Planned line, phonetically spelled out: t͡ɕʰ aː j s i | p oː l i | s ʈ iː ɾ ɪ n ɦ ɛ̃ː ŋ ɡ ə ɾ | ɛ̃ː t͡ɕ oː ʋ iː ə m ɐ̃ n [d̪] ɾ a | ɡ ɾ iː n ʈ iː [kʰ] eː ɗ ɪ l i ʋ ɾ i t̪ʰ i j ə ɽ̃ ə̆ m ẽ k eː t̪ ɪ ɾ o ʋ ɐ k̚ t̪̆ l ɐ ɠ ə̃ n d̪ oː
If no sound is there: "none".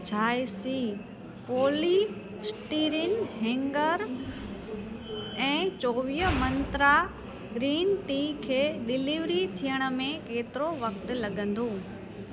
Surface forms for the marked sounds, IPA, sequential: t̪, kʰ

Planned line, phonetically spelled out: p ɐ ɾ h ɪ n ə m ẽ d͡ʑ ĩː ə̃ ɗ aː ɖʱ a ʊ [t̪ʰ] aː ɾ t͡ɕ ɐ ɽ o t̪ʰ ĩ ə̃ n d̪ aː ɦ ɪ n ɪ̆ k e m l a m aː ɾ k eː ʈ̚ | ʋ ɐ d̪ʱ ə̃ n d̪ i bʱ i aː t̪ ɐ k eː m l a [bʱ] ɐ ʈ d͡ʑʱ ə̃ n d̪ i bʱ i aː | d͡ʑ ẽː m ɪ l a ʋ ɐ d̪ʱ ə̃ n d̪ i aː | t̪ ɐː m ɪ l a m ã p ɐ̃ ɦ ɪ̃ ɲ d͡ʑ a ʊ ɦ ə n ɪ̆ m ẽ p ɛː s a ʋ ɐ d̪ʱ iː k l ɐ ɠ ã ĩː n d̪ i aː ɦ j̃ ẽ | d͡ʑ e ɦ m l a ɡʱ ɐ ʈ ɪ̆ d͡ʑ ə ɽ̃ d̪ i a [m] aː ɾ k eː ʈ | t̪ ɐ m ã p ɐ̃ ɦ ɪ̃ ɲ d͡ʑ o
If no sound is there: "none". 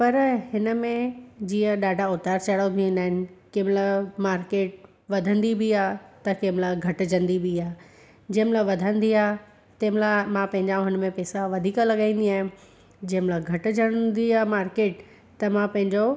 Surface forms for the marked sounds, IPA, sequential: t̪, ɡʱ, m

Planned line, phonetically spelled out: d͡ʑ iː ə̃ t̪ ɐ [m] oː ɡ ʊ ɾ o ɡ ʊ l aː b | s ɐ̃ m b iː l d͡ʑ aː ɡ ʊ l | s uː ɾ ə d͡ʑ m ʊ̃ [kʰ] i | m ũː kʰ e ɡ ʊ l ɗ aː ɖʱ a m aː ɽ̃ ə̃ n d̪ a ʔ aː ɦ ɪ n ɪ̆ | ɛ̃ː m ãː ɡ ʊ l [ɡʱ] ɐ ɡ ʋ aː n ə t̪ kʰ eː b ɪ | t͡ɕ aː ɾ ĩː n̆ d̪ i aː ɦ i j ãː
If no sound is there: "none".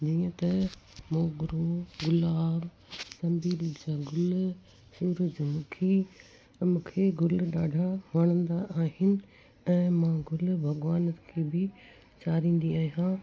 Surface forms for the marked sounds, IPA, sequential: m, kʰ, bʱ

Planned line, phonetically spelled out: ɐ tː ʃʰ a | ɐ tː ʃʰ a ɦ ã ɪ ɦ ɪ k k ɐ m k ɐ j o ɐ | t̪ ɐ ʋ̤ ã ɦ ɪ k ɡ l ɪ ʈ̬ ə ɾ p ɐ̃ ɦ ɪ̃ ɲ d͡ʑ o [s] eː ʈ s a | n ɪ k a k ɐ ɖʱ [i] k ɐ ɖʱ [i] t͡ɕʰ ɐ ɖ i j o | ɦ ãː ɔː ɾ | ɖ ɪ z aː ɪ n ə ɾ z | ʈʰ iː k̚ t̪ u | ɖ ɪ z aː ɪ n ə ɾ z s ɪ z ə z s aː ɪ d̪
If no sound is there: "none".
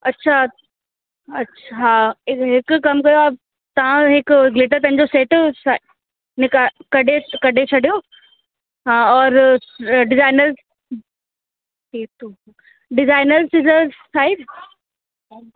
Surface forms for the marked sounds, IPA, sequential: s, e, e

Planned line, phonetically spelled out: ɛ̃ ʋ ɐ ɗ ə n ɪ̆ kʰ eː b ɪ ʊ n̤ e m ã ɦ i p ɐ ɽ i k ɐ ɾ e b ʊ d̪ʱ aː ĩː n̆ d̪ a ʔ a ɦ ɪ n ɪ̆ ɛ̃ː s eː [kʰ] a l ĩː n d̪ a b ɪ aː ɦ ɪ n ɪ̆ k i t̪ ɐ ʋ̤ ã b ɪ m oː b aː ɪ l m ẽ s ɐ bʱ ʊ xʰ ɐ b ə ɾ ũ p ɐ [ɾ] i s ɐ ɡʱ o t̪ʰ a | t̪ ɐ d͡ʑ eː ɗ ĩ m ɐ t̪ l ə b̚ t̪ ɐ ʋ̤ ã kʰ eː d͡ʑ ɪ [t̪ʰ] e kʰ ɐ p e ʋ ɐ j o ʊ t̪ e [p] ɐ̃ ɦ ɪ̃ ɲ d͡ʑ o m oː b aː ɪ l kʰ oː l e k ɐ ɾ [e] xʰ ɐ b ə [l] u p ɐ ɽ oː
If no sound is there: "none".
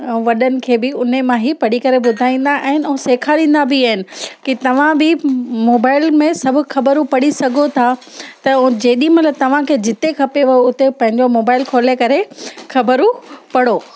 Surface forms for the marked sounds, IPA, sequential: kʰ, ɽ, t̪, p, e, ɾ

